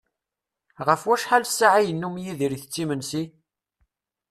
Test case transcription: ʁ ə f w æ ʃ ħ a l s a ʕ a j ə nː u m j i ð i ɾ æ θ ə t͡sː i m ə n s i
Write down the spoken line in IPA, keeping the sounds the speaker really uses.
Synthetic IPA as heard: ʁ ə f w æ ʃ ħ a l s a ʕ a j ə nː u m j i ð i ɾ i θ ə t͡sː i m ə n s i